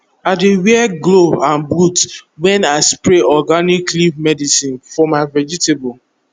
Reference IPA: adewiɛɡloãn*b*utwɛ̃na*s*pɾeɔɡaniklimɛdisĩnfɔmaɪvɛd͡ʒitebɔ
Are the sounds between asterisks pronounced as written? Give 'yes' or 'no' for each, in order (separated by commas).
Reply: yes, yes